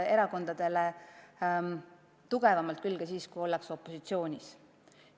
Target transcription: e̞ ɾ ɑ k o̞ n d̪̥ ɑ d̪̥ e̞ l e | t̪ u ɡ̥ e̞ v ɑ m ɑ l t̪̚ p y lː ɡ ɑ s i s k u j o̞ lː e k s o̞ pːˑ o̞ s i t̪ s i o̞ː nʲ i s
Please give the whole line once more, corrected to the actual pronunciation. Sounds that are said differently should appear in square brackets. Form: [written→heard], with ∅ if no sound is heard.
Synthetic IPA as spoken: e̞ ɾ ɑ k o̞ n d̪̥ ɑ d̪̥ e̞ l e | t̪ u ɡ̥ e̞ v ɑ m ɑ l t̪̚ [p→k] y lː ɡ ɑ s [i→iː] s k u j o̞ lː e k s o̞ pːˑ o̞ s i t̪ s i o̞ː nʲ i s